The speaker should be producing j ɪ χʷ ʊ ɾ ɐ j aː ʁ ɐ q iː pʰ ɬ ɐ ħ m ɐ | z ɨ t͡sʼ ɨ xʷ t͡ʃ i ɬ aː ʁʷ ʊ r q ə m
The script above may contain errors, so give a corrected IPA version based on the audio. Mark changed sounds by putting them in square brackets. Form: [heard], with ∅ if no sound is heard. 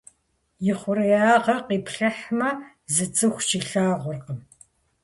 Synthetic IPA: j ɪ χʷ ʊ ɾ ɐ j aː ʁ ɐ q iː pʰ ɬ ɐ ħ m ɐ | z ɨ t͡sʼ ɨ xʷ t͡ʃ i ɬ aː ʁʷ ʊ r q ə m